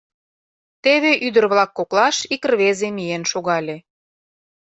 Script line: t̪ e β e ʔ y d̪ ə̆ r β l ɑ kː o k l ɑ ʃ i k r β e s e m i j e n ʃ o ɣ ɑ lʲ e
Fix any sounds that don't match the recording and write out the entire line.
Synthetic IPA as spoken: t̪ e β e ʔ y d̪ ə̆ r β l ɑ kː o k l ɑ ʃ i k r β e z e m i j e n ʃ o ɣ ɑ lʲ e

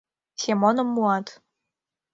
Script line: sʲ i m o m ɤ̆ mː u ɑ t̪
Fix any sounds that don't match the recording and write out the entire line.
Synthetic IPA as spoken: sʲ e m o n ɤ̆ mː u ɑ t̪

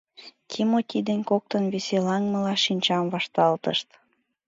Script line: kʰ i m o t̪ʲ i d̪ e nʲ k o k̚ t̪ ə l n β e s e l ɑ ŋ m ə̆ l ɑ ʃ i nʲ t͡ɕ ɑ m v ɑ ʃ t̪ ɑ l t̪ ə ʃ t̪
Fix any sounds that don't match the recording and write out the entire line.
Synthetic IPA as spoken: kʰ i m o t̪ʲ i d̪ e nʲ k o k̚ t̪ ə n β e s e l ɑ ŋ m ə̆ l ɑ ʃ i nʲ t͡ɕ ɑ m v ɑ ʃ t̪ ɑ l t̪ ə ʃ t̪

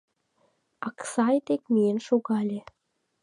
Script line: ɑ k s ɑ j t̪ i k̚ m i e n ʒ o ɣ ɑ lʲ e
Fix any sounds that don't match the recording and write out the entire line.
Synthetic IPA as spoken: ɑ k s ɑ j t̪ e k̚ m i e n ʃ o ɣ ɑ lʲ e

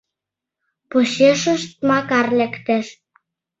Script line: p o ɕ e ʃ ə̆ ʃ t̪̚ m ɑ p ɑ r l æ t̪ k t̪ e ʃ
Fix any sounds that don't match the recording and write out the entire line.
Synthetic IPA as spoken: p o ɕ e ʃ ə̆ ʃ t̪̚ m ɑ k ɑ r l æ k t̪ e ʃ

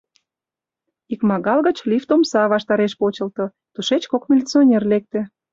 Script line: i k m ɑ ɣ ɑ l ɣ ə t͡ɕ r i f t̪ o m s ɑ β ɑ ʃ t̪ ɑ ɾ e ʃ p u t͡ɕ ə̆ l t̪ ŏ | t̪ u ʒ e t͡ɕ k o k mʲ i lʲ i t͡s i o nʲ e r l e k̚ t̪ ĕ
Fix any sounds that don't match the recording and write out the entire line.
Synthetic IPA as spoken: i k m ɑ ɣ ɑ l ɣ ə t͡ɕ l i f t̪ o m s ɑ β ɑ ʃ t̪ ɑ ɾ e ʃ p o t͡ɕ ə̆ l t̪ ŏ | t̪ u ʃ e t͡ɕ k o k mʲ i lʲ i t͡s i o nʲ e r l e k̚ t̪ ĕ

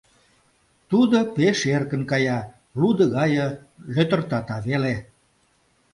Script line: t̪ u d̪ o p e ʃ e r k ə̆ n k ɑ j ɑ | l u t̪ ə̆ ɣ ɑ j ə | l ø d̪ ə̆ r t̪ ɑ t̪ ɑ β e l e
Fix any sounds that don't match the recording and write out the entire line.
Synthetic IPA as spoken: t̪ u d̪ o p e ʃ e r k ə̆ n k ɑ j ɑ | l u d̪ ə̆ ɣ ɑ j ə | l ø t̪ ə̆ r t̪ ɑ t̪ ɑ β e l e

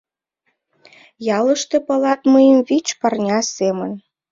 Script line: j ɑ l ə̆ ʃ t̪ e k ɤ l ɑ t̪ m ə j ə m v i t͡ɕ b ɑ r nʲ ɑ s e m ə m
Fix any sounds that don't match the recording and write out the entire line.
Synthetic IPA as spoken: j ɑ l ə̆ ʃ t̪ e p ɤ l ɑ t̪ m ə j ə m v i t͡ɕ p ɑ r nʲ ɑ s e m ə n

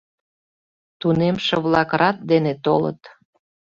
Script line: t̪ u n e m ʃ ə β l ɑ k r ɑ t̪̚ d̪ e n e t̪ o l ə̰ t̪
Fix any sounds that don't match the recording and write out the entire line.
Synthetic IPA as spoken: t̪ u n e m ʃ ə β l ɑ k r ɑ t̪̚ d̪ e n e t̪ o l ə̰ t̪

